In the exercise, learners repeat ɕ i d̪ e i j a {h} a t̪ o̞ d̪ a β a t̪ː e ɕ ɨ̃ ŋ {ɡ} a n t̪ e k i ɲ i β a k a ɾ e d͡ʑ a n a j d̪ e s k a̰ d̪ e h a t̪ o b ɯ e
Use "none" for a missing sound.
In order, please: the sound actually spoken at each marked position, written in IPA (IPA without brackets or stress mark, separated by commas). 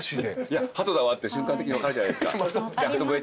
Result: h, k